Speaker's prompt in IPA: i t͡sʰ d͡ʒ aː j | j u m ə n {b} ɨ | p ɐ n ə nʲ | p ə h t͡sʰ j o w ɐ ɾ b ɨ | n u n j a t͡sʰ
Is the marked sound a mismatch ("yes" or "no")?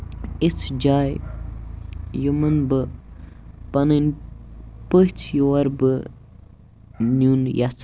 no